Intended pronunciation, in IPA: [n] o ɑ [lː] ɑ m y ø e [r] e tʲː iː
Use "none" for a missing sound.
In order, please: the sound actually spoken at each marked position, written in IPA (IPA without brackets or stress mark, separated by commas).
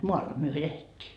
m, lː, l